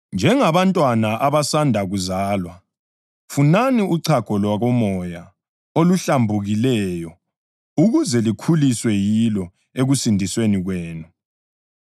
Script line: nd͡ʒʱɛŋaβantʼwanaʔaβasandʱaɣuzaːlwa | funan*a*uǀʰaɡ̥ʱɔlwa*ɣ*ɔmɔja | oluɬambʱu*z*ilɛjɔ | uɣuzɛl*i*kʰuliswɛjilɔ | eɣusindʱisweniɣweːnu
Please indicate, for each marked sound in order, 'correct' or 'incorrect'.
incorrect: i, correct, incorrect: ɣ, correct

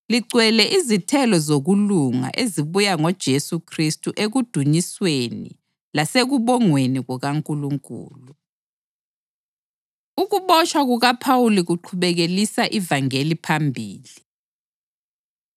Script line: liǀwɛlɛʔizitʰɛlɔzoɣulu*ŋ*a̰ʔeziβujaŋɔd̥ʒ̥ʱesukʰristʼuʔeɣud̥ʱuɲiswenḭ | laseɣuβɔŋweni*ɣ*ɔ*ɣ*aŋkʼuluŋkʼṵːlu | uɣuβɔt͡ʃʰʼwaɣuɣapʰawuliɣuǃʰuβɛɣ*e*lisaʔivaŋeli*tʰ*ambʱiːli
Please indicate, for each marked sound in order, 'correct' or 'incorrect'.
correct, correct, correct, correct, incorrect: pʰ

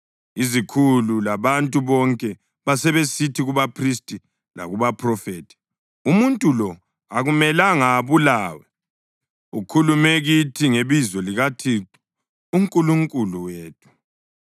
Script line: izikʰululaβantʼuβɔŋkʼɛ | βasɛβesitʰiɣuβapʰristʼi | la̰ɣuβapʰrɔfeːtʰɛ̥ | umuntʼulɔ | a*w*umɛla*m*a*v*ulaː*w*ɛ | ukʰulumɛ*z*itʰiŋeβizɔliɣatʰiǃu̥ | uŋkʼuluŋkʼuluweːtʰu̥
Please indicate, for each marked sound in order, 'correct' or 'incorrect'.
incorrect: ɣ, incorrect: ŋ, incorrect: β, correct, incorrect: ɣ

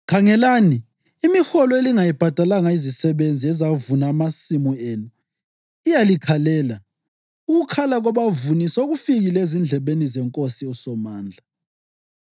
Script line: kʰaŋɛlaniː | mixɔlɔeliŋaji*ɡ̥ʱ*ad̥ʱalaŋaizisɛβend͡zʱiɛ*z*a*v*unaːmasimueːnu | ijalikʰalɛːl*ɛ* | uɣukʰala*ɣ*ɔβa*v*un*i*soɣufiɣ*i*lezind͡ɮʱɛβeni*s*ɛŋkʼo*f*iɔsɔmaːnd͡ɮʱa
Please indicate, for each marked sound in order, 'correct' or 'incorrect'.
incorrect: b̥ʱ, correct, correct, incorrect: a, correct, correct, correct, correct, incorrect: z, incorrect: s

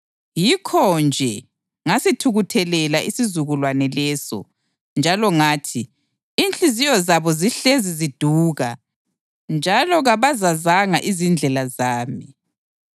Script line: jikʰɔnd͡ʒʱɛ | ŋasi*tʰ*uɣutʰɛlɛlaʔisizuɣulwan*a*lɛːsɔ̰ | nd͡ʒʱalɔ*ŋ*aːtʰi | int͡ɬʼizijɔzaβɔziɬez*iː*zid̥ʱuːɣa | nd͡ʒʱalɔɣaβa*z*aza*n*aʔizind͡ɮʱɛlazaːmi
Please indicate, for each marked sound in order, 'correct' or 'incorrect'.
correct, incorrect: ɛ, correct, incorrect: i, correct, incorrect: ŋ

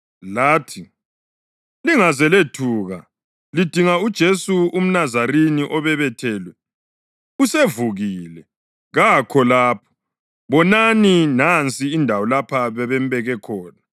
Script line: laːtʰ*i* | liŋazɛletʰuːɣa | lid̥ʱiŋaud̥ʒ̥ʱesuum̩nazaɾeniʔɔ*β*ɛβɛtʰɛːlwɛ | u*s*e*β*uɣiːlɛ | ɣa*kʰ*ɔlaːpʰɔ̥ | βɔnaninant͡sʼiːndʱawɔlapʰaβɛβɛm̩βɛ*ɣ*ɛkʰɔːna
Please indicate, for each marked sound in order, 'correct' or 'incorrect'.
correct, correct, correct, incorrect: v, correct, correct

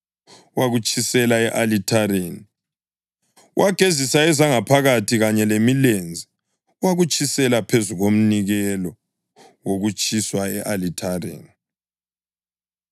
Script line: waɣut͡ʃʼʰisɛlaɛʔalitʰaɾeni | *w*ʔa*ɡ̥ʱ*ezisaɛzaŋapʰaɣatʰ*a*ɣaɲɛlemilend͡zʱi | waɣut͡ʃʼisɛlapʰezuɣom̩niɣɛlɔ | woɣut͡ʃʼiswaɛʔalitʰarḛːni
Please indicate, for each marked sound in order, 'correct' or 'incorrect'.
correct, correct, incorrect: i

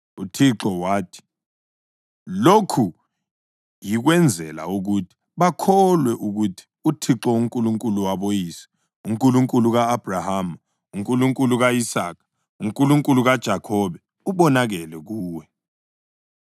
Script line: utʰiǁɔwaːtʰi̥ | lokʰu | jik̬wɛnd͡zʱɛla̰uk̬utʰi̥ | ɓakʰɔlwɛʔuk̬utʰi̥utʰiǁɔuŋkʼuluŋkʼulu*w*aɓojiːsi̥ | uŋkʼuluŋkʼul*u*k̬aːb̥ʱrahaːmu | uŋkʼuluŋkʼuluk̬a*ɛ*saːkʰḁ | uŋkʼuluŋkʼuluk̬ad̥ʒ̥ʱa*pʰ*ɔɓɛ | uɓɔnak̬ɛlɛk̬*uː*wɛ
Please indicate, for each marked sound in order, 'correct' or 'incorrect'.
correct, correct, incorrect: i, incorrect: kʰ, correct

